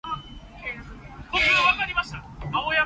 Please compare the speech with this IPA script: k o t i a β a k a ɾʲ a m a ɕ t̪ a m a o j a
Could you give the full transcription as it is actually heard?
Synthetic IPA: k o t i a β a k a ɾʲ i m a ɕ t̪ a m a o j a